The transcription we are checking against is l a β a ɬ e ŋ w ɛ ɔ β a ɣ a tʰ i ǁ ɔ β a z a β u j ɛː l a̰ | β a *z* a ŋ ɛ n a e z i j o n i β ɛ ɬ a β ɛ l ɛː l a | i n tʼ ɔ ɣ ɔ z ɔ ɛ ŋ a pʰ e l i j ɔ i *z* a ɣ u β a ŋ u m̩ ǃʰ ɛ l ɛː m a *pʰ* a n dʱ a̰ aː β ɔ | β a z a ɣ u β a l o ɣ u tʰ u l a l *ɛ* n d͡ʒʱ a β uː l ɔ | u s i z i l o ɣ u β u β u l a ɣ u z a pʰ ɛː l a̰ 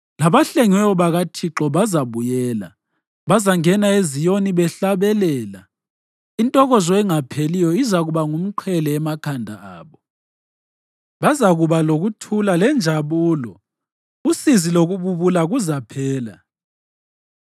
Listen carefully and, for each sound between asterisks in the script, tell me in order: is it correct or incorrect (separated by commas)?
correct, correct, incorrect, correct